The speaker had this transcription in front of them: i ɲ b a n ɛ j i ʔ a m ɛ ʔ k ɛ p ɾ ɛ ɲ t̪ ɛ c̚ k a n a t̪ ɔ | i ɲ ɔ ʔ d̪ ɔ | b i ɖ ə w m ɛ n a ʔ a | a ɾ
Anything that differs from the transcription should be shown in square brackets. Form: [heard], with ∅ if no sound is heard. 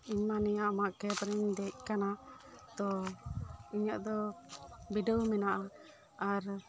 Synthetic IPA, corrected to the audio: i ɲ [m] a n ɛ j [a] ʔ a m [a] ʔ k ɛ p ɾ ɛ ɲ [d̪] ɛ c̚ k a n a t̪ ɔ | i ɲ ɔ ʔ d̪ ɔ | b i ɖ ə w m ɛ n a ʔ a | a ɾ